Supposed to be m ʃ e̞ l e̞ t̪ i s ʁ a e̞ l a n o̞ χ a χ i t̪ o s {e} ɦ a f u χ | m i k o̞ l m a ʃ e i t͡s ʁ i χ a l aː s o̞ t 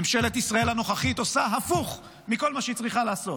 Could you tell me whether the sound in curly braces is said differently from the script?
yes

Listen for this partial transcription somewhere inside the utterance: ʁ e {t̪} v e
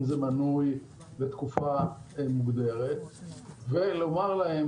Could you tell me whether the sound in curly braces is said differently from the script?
no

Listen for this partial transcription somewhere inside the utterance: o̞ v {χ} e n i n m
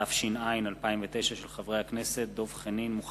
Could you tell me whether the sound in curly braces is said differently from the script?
no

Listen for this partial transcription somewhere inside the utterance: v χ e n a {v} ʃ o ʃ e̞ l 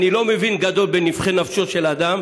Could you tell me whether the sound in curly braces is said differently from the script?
yes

